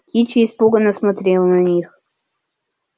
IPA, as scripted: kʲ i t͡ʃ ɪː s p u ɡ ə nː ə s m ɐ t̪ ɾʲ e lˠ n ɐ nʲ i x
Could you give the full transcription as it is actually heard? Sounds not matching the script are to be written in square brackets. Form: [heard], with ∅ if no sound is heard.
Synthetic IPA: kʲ i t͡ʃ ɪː s p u ɡ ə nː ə s m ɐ t̪ ɾʲ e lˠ n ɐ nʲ i x